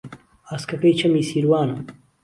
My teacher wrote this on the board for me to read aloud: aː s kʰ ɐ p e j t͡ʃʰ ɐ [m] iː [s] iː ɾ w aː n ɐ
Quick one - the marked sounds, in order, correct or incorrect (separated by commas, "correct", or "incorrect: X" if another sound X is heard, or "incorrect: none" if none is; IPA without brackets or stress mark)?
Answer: correct, correct